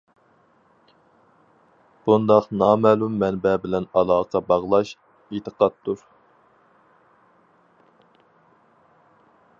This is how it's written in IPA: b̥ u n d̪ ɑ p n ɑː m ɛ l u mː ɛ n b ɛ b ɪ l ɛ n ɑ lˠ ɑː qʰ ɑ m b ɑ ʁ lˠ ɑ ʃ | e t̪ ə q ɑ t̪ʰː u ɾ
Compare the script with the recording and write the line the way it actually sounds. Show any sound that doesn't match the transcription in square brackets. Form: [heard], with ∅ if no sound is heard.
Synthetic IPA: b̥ u n d̪ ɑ [q] n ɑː m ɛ l u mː ɛ n b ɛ b ɪ l ɛ n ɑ lˠ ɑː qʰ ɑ [∅] b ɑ ʁ lˠ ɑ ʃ | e t̪ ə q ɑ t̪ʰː u ɾ